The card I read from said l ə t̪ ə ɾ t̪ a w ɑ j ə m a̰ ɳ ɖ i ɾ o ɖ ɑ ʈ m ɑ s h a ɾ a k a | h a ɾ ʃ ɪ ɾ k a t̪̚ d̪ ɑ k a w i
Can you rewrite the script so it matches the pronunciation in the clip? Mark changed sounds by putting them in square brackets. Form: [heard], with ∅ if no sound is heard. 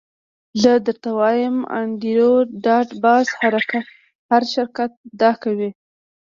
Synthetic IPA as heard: l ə [d̪] ə ɾ t̪ a w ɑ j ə m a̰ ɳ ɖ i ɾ o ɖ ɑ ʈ [b] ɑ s h a ɾ a k a | h a ɾ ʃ ɪ ɾ k a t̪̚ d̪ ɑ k a w i